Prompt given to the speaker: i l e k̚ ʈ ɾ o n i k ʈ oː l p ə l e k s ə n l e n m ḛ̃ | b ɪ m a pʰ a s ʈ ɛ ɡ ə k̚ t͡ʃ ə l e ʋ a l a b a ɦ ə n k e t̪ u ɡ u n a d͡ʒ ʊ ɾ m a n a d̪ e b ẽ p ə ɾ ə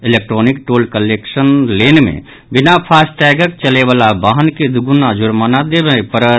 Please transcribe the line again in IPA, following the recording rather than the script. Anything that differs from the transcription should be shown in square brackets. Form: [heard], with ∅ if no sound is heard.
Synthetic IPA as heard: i l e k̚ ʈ ɾ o n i k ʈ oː l [k] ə l e k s ə n l e n m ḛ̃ | b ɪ [n] a pʰ a s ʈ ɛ ɡ ə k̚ t͡ʃ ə l e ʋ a l a b a ɦ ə n k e [d̪] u ɡ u n a d͡ʒ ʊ ɾ m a n a d̪ e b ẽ p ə ɾ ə